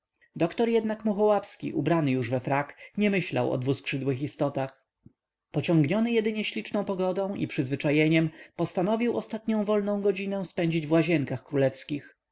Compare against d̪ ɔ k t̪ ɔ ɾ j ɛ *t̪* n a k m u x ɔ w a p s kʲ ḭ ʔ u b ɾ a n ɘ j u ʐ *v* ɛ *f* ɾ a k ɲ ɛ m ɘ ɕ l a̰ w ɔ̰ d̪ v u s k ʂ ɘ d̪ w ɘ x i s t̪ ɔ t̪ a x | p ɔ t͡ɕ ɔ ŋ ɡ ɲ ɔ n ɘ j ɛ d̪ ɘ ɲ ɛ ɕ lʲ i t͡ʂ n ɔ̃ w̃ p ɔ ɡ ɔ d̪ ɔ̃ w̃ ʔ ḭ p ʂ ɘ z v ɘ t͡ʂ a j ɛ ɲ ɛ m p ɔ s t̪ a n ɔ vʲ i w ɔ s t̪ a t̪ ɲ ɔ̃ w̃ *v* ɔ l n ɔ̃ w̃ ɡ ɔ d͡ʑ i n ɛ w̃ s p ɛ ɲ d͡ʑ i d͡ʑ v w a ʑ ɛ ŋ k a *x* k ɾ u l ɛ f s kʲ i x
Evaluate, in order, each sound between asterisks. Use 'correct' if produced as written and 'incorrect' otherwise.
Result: incorrect, correct, correct, correct, correct

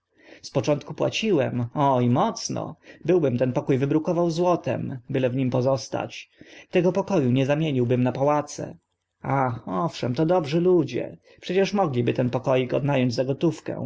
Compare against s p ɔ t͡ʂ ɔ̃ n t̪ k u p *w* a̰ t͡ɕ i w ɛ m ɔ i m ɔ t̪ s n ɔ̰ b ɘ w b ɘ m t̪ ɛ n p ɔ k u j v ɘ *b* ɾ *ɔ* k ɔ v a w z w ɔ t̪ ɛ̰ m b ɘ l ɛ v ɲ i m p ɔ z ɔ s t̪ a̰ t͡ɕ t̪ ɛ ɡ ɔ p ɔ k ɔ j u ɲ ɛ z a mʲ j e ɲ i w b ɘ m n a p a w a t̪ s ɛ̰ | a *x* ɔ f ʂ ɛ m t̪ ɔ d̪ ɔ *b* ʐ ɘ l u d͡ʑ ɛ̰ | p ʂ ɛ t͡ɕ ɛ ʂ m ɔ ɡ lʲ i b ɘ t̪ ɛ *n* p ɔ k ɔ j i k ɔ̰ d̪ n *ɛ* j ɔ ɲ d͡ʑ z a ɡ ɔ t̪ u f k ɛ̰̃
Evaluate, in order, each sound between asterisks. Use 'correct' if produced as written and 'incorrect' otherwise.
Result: correct, correct, incorrect, correct, correct, correct, incorrect

